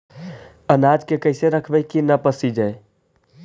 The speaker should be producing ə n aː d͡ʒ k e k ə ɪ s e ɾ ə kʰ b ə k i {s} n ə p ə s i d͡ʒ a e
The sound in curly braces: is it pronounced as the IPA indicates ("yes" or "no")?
no